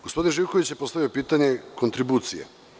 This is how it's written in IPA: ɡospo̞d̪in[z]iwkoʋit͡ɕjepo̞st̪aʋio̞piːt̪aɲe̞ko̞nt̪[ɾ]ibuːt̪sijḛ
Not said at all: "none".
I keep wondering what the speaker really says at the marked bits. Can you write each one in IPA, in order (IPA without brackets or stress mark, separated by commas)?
ʒ, ɾ